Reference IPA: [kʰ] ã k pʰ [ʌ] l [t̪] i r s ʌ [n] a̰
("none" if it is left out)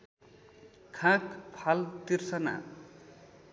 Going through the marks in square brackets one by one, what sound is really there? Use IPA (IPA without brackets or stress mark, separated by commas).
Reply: kʰ, a, t̪, n